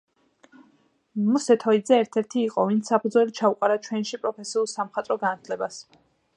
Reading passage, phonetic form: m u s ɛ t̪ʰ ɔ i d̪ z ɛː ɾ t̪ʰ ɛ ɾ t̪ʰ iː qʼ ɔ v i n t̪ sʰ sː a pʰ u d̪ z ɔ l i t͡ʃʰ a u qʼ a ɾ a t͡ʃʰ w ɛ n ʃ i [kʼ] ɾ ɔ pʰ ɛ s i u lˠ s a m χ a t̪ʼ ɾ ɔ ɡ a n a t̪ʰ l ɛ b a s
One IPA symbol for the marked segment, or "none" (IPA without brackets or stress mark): pʼ